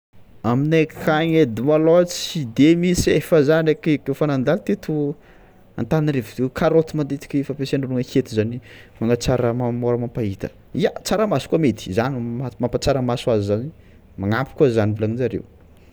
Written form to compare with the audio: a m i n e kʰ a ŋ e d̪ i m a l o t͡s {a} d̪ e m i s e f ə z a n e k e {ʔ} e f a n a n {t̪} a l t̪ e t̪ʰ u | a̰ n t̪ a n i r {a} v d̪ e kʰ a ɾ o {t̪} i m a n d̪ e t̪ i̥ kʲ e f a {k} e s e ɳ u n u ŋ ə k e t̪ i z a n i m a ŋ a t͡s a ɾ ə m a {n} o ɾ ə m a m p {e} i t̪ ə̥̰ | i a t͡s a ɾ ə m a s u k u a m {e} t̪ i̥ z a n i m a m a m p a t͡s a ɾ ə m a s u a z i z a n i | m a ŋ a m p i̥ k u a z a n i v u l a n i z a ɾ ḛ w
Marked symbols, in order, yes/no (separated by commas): no, no, no, no, yes, no, no, no, yes